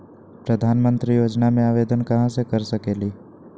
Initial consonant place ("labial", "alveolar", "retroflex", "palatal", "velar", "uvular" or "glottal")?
labial